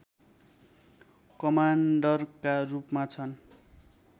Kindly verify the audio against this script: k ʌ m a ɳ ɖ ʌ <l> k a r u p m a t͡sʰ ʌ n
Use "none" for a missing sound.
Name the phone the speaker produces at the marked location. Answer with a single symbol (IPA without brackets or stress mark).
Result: r